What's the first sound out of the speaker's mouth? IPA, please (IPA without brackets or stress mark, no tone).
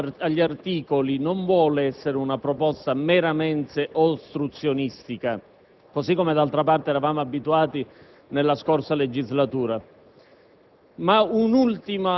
a